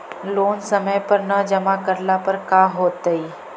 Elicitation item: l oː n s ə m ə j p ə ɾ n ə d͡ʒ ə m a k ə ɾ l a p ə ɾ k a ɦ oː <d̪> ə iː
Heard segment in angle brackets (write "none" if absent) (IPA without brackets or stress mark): t̪